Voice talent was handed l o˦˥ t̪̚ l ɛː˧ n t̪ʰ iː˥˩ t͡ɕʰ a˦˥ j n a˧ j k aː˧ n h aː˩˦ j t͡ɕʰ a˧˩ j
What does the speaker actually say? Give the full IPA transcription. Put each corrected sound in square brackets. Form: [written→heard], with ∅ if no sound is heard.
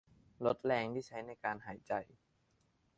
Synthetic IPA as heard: l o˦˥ t̪̚ l ɛː˧ [n→ŋ] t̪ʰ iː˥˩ t͡ɕʰ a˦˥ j n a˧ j k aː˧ n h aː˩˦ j [t͡ɕʰ→t͡ɕ] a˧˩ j